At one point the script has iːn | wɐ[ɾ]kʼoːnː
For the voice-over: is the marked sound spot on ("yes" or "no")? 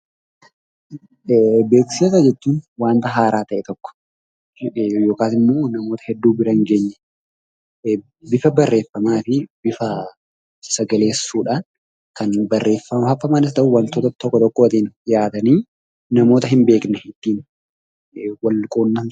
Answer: no